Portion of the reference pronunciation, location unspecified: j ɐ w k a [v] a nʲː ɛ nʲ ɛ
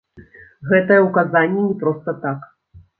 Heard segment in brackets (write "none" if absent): z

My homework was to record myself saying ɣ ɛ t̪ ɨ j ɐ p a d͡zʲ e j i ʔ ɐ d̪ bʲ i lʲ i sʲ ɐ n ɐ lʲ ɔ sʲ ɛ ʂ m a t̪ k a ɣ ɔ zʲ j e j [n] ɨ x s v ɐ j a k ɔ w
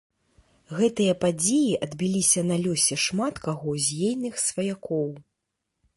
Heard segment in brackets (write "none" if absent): n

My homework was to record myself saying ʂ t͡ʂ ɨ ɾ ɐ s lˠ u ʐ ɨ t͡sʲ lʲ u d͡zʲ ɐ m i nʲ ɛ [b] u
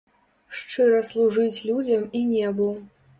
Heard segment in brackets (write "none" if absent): b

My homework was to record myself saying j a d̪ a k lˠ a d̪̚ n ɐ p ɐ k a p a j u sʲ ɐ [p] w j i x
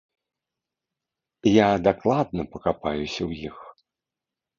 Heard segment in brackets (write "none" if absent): none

